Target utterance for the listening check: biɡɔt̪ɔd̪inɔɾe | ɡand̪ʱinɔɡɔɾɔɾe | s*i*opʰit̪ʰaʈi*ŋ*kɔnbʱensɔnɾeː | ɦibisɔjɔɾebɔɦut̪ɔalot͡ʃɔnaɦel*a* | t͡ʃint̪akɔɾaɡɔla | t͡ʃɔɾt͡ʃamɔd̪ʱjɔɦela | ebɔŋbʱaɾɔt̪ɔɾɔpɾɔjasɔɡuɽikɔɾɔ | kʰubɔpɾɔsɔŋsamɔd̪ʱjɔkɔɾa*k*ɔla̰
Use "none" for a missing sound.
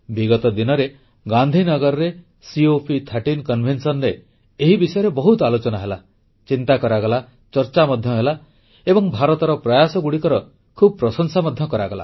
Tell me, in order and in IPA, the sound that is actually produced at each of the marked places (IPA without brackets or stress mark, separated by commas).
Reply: i, n, a, ɡ